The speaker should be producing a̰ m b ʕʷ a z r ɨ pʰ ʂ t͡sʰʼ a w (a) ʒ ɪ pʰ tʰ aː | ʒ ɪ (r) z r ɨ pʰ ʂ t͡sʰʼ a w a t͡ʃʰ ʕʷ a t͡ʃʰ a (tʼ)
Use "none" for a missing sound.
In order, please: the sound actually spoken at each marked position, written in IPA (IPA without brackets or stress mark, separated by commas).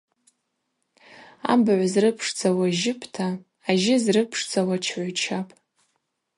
a, none, pʼ